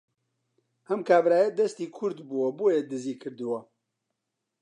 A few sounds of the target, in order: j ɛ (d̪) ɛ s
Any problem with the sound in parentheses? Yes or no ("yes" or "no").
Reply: no